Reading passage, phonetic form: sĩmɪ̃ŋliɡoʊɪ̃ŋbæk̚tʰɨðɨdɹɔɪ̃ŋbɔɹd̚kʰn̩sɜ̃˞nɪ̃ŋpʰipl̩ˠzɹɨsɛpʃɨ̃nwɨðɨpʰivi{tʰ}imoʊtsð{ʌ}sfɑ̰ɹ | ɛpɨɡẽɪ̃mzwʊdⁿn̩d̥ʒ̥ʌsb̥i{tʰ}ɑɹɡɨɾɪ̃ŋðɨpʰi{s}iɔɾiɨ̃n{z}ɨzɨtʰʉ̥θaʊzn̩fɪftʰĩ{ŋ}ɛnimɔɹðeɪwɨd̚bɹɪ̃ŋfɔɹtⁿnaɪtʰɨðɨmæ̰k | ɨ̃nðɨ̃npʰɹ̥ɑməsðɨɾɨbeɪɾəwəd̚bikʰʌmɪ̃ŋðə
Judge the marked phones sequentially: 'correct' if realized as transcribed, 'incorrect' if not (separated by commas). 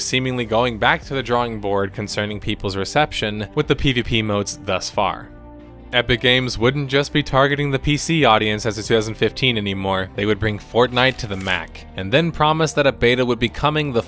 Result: incorrect, correct, correct, correct, incorrect, incorrect